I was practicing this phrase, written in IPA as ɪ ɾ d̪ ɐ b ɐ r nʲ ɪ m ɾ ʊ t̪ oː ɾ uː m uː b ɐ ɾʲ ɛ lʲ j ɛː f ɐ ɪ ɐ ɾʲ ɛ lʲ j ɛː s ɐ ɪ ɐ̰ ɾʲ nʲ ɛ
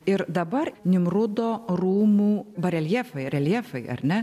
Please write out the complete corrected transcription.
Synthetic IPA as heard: ɪ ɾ d̪ ɐ b ɐ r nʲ ɪ m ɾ ʊ d̪ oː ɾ uː m uː b ɐ ɾʲ ɛ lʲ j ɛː f ɐ ɪ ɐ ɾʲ ɛ lʲ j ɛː f ɐ ɪ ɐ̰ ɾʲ nʲ ɛ